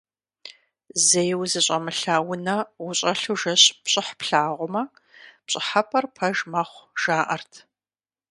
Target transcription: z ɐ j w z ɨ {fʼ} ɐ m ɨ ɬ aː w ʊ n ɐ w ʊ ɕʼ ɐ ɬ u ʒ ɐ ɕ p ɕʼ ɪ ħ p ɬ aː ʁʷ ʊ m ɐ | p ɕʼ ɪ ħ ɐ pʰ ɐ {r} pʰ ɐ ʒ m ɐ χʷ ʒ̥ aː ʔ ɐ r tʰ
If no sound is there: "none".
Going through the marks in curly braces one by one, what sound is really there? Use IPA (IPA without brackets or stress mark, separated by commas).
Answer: ɕʼ, r